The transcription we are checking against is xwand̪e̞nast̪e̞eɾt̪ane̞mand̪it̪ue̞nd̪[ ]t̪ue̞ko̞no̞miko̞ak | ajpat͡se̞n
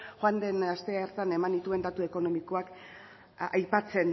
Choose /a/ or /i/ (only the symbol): a